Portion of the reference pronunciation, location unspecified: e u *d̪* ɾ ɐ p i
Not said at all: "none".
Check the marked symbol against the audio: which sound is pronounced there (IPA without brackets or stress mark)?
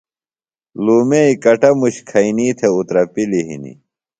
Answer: t̪